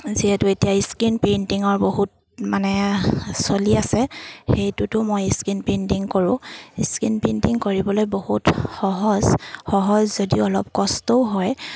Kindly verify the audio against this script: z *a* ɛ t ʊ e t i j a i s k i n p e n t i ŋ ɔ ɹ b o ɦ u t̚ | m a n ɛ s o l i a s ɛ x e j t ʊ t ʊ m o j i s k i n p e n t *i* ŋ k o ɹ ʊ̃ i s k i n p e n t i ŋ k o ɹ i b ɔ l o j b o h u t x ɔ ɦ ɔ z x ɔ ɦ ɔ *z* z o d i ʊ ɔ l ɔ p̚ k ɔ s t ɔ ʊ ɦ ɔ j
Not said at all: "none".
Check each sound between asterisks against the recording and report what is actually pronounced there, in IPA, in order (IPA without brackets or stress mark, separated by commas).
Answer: i, i, z